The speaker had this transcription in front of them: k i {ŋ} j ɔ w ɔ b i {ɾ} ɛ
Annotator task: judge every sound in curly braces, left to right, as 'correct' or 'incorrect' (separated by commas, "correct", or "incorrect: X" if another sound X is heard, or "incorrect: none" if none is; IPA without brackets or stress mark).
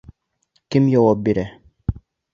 incorrect: m, correct